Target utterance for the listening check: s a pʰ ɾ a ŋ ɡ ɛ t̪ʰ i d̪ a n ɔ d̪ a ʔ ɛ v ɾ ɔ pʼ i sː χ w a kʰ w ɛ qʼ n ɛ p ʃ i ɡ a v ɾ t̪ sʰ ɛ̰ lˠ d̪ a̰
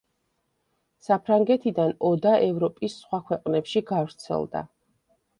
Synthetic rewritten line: s a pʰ ɾ a ŋ ɡ ɛ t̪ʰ i d̪ a n ɔ d̪ a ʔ ɛ v ɾ ɔ pʼ i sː χ w a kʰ w ɛ qʼ n ɛ p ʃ i ɡ a v ɾ t̪ sʰ ɛ̰ lˠ d̪ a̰